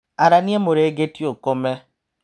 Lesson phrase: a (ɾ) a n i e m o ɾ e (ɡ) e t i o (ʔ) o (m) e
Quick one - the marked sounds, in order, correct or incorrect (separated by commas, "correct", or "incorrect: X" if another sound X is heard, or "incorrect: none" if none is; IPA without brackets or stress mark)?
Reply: correct, correct, incorrect: k, correct